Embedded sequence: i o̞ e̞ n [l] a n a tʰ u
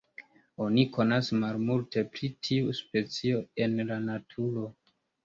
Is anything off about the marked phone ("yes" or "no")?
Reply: no